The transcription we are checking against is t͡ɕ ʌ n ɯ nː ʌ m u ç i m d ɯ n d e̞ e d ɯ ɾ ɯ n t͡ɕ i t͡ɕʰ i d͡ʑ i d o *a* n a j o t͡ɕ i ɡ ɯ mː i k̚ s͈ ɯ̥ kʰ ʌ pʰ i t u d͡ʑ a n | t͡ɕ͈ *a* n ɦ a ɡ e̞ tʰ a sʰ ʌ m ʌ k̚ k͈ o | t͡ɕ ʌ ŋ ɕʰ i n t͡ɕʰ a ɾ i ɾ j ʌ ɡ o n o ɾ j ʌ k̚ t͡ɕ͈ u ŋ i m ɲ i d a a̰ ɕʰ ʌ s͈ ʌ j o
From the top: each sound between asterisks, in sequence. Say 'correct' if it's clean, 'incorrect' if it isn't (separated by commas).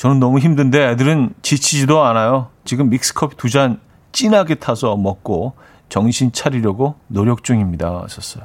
correct, incorrect